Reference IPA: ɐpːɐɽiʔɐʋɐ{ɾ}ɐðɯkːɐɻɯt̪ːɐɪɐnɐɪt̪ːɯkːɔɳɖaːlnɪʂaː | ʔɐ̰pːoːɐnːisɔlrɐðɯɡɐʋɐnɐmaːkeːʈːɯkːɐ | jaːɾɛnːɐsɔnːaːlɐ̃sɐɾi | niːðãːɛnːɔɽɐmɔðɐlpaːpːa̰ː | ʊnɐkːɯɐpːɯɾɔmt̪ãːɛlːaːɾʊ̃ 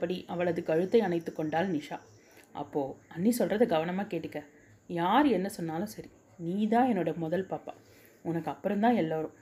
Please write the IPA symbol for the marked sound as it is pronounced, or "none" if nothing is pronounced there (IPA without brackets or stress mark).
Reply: ɭ